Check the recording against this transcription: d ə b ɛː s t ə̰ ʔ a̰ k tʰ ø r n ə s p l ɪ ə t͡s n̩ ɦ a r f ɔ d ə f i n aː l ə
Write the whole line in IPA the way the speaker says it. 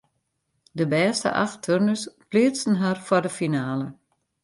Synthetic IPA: d ə b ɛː s t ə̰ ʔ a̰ x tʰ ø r n ə s p l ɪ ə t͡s n̩ ɦ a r f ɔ d ə f i n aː l ə